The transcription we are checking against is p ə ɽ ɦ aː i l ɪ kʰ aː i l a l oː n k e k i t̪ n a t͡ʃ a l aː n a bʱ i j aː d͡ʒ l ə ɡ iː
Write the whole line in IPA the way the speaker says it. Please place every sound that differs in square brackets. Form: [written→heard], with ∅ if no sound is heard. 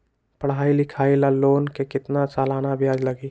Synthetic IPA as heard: p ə ɽ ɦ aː i l ɪ kʰ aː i l a l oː n k e k [i→ɪ] t̪ n a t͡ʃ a l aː n a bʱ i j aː d͡ʒ l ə ɡ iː